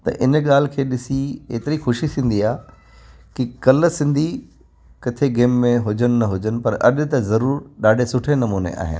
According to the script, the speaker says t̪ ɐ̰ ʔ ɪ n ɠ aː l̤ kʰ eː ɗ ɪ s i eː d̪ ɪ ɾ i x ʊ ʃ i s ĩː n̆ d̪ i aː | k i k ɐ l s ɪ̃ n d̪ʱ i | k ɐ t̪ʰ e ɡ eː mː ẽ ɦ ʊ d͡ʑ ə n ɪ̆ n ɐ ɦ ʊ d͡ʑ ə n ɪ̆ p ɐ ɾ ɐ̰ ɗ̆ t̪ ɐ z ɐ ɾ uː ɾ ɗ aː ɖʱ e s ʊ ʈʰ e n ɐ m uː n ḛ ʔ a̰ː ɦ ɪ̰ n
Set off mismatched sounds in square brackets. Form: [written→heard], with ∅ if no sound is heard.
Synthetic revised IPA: t̪ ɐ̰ ʔ ɪ n ɠ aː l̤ kʰ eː ɗ ɪ s i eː [d̪→t̪] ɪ ɾ i x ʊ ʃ i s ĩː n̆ d̪ i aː | k i k ɐ l s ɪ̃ n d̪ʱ i | k ɐ t̪ʰ e ɡ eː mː ẽ ɦ ʊ d͡ʑ ə n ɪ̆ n ɐ ɦ ʊ d͡ʑ ə n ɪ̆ p ɐ ɾ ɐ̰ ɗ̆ t̪ ɐ z ɐ ɾ uː ɾ ɗ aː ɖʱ e s ʊ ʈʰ e n ɐ m uː n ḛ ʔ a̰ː ɦ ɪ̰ n